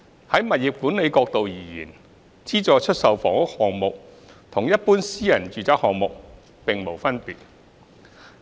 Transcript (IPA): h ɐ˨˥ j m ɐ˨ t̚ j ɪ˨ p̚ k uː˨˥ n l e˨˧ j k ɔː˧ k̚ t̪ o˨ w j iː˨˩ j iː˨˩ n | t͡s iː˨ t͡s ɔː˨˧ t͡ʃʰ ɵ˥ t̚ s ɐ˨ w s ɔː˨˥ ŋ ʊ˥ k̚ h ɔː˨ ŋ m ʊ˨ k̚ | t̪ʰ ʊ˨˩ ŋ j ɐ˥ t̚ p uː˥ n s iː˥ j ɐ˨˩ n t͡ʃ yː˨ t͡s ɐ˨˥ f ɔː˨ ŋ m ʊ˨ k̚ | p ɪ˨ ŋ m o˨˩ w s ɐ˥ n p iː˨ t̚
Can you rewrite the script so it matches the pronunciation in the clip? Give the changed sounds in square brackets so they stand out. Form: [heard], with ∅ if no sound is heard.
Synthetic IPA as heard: h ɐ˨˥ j m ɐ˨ t̚ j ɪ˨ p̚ k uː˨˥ n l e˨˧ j k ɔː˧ k̚ t̪ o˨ w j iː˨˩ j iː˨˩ n | t͡s [iː˥] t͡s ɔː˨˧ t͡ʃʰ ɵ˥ t̚ s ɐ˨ w [f] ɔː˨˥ ŋ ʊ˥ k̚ h ɔː˨ ŋ m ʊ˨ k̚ | t̪ʰ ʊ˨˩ ŋ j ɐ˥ t̚ p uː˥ n s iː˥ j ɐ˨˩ n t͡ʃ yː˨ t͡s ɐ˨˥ [h] ɔː˨ ŋ m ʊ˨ k̚ | p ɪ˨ ŋ m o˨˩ w [f] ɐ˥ n p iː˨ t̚